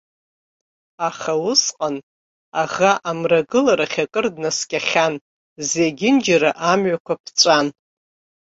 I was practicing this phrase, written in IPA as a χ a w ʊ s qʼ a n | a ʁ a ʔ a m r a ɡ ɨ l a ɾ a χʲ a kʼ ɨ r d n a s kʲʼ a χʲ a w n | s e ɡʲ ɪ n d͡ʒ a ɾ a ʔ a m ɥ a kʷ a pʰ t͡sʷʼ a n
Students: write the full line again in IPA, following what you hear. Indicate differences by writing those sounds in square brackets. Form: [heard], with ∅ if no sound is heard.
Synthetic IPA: a χ a w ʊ s qʼ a n | a ʁ a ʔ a m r a ɡ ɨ l a ɾ a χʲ a kʼ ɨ r d n a s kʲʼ a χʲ a [∅] n | [z] e ɡʲ ɪ n d͡ʒ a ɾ a ʔ a m ɥ a kʷ a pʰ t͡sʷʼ a n